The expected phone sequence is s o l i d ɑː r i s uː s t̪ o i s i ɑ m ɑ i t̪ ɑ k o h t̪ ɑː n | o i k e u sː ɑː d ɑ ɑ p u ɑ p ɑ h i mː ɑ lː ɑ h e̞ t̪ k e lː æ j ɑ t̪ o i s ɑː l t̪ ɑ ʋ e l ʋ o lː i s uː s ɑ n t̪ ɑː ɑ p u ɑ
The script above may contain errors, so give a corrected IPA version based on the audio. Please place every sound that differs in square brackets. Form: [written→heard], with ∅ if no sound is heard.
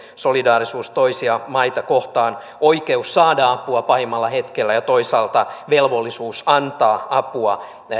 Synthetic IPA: s o l i d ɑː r i s uː s t̪ o i s i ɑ m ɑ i t̪ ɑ k o h t̪ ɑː n | o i k e u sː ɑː d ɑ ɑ p u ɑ p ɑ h i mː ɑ lː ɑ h e̞ t̪ k e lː æ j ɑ t̪ o i s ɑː l t̪ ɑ ʋ e l ʋ o lː i s uː s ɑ n t̪ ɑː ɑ p u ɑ